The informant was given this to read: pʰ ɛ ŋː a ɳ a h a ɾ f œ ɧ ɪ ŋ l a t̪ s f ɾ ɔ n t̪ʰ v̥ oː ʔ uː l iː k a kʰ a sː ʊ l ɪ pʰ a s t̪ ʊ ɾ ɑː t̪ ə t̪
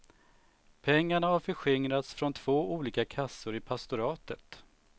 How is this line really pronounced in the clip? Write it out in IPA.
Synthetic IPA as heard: pʰ ɛ ŋː a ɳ a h a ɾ f œ ɧ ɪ ŋ ɾ a t̪ s f ɾ ɔ n t̪ʰ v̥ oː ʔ uː l iː k a kʰ a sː ʊ ɾ ɪ pʰ a s t̪ ʊ ɾ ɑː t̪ ə t̪